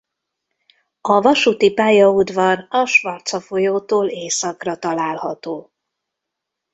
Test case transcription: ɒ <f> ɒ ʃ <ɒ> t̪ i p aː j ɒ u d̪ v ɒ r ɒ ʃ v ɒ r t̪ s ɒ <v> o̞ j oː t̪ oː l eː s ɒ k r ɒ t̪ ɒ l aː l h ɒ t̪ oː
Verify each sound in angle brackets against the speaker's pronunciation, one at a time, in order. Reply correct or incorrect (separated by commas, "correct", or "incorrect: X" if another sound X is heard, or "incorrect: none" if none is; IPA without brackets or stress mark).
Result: incorrect: v, incorrect: u, incorrect: f